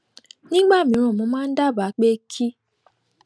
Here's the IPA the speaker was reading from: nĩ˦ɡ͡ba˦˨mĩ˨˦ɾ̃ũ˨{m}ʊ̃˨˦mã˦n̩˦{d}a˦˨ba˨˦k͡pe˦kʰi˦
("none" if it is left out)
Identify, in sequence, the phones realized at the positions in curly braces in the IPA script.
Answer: m, d

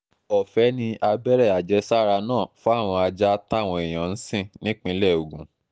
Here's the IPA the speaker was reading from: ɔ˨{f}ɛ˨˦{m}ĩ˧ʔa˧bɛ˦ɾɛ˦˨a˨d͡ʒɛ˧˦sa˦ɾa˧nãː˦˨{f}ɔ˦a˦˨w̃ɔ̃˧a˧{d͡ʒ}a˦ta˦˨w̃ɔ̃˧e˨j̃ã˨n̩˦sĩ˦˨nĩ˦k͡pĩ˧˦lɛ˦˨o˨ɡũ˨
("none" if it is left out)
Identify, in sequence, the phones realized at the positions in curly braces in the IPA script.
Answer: f, n, f, d͡ʒ

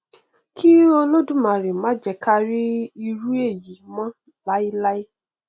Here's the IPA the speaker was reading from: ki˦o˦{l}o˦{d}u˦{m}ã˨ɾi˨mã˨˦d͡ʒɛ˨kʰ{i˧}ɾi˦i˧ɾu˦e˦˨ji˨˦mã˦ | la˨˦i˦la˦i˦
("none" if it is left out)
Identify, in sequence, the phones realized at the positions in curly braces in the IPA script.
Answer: l, d, m, a˧

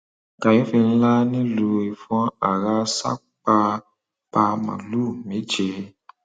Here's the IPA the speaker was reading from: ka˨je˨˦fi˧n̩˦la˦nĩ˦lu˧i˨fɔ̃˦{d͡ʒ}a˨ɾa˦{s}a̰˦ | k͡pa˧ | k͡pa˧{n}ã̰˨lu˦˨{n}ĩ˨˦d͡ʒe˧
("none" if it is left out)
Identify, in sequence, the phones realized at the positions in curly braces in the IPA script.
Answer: none, s, m, m

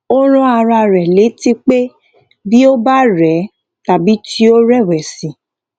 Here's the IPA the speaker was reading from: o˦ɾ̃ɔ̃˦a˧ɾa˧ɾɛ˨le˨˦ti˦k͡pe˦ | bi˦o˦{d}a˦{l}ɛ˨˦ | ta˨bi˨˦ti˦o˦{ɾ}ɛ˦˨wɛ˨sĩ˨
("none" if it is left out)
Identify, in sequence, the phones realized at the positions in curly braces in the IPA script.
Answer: b, ɾ, ɾ

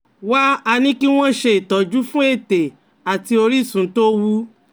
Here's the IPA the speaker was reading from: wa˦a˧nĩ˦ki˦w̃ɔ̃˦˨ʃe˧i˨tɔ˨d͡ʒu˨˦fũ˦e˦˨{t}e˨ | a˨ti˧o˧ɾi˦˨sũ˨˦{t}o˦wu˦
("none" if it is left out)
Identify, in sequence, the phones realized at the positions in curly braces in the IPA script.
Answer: t, t

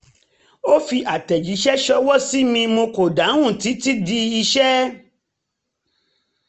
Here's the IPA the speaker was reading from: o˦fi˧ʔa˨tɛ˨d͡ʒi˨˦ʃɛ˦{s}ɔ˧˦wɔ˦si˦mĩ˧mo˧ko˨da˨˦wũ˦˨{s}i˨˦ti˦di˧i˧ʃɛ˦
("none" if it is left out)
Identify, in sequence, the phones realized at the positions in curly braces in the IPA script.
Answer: ʃ, t

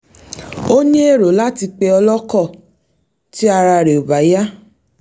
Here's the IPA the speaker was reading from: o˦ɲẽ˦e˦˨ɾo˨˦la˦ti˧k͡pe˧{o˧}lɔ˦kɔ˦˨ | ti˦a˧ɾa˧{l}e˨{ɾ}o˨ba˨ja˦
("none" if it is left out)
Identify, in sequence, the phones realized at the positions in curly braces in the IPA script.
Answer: ɔ˧, ɾ, none

